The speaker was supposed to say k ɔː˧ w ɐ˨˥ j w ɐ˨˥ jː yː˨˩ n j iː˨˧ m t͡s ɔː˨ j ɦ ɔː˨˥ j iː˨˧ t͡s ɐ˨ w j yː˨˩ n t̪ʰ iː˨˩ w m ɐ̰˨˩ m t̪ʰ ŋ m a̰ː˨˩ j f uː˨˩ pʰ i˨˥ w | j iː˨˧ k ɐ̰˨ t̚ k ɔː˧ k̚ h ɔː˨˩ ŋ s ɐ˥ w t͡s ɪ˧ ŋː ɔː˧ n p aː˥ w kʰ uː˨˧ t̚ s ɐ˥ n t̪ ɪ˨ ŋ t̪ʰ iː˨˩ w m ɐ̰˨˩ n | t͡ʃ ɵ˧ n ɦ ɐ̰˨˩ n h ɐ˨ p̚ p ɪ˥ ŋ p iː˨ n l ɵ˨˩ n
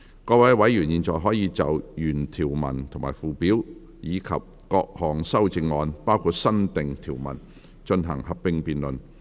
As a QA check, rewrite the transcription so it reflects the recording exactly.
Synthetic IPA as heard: k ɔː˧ w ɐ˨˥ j w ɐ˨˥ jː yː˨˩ n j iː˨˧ n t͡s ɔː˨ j ɦ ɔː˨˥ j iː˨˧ t͡s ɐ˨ w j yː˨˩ n t̪ʰ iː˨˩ w m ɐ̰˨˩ n t̪ʰ ŋ m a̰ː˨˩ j f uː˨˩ p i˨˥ w | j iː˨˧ kʰ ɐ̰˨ p̚ k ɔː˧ k̚ h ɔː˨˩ ŋ s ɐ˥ w t͡s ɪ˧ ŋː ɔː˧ n p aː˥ w kʰ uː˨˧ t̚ s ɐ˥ n t̪ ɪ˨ ŋ t̪ʰ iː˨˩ w m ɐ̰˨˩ n | t͡ʃ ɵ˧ n ɦ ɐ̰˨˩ ŋ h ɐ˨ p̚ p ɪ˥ ŋ p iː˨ n l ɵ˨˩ n